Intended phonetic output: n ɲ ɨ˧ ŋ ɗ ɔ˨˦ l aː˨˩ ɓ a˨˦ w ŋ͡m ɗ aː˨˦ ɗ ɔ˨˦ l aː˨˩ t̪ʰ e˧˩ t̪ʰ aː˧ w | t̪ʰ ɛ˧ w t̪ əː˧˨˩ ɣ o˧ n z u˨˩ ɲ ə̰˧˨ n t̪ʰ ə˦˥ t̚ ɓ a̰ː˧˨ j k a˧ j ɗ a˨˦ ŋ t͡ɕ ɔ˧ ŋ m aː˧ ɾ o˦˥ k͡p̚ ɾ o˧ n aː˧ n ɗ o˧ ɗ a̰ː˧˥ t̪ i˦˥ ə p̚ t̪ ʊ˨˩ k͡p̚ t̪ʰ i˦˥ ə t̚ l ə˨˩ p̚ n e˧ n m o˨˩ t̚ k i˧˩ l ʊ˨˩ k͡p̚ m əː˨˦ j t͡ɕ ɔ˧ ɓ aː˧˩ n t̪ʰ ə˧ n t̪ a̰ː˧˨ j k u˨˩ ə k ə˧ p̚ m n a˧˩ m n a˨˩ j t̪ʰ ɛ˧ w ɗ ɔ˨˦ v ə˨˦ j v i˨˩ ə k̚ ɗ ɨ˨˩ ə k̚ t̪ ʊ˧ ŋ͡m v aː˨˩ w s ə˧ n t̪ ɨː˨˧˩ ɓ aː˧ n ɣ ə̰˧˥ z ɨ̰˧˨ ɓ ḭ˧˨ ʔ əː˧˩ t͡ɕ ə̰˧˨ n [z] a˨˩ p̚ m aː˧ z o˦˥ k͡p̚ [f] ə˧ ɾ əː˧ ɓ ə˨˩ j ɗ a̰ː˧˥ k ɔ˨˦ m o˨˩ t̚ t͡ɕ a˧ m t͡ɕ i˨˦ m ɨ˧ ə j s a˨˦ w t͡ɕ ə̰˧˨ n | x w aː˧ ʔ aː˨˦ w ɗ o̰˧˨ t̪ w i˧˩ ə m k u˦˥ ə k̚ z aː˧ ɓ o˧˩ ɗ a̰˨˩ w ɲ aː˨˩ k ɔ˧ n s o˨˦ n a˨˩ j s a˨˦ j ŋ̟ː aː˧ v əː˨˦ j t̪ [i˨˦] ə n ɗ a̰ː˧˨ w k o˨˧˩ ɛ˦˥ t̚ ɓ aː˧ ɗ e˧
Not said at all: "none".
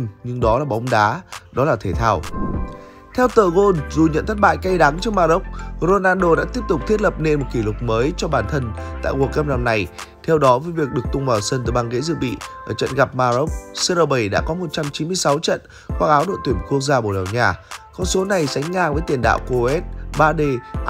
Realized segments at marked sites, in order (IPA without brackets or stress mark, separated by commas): ɣ, s, i˧˩